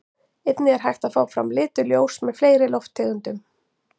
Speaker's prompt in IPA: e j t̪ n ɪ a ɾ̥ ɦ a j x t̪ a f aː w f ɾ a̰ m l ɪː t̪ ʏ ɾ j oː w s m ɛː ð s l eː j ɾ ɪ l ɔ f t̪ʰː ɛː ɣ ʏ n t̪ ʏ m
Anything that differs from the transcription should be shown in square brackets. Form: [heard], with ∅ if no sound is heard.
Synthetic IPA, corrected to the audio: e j t̪ n ɪ [ɛ] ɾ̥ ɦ a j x t̪ a f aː w f ɾ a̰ m l ɪː t̪ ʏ [l] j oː w s m [ɛ] ð [f] l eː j ɾ ɪ l ɔ f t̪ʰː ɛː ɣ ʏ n t̪ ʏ m